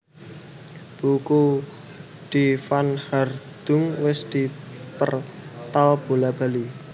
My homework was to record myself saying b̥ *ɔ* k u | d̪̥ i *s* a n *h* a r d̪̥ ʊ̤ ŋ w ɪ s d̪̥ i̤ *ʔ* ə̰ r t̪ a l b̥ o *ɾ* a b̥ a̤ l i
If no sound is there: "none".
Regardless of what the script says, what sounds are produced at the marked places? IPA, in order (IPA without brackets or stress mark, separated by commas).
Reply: u, f, h, p, l